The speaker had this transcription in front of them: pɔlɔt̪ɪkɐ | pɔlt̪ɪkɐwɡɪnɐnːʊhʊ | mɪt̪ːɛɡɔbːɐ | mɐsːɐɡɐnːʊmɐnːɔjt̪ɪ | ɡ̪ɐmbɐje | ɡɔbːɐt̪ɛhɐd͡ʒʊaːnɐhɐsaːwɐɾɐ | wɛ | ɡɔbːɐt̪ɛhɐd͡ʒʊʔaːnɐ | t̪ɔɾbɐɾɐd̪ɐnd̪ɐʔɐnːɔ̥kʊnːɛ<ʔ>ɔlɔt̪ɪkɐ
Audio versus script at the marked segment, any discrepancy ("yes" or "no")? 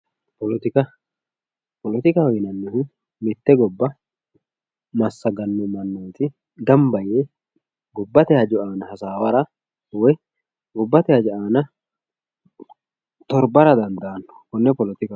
yes